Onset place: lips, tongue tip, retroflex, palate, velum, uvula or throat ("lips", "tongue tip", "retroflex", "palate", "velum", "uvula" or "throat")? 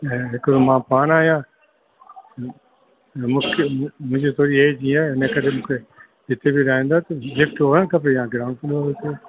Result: throat